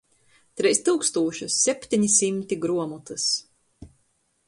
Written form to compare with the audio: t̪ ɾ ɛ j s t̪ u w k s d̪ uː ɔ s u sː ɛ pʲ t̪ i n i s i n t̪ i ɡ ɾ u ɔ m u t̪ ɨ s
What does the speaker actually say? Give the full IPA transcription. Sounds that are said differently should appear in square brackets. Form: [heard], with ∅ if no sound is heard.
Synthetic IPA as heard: t̪ ɾ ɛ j s t̪ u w k s [t̪] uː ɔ [ʃ] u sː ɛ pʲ t̪ i [ɲ] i s i [m] t̪ i ɡ ɾ u ɔ m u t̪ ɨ s